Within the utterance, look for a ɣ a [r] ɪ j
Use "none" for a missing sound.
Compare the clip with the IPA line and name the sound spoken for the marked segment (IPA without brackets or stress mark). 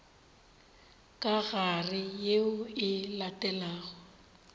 r